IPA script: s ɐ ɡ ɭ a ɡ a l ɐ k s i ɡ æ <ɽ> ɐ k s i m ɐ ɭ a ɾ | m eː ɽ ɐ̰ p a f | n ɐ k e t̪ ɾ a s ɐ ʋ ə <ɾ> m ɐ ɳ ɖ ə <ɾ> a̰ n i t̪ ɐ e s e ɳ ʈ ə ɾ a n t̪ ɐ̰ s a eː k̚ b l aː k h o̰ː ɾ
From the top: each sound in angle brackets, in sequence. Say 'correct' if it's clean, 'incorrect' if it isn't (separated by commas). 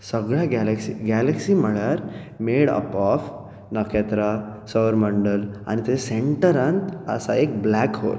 incorrect, correct, incorrect